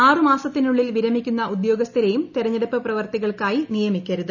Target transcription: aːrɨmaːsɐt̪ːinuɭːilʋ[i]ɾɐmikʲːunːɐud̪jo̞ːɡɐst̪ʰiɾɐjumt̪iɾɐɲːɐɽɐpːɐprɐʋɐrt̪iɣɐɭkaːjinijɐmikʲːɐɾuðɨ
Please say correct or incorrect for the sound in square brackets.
correct